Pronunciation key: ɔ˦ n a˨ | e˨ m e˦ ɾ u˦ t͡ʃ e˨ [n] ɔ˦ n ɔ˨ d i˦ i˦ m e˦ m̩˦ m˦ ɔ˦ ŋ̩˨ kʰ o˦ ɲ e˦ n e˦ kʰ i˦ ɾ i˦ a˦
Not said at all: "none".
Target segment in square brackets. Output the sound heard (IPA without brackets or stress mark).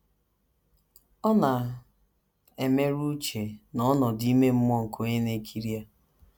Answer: n